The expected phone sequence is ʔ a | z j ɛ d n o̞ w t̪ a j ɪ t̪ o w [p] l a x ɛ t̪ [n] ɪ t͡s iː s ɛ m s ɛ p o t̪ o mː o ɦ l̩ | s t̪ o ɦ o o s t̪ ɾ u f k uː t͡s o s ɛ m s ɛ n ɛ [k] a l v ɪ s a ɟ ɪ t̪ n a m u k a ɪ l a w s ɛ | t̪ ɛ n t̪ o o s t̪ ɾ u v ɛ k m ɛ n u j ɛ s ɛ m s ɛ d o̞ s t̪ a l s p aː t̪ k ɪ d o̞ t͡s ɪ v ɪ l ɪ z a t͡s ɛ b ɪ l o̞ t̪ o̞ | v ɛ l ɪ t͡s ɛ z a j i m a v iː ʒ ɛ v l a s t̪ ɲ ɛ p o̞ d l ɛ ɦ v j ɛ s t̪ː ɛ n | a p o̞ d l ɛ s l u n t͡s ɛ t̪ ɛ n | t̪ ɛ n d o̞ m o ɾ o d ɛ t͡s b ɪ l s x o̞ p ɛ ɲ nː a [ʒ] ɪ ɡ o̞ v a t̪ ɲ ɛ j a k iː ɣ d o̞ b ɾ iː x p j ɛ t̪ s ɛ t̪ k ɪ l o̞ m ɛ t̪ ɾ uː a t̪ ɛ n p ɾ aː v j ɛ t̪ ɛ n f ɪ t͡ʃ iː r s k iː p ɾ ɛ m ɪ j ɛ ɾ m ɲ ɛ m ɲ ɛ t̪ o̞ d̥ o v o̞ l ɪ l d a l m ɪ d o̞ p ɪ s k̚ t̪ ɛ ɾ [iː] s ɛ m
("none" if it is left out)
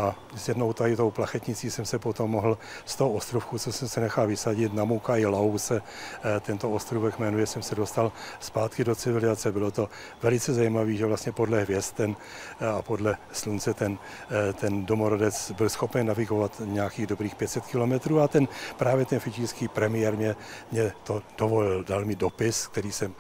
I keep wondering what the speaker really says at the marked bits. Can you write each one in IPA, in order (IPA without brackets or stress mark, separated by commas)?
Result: p, ɲ, x, v, iː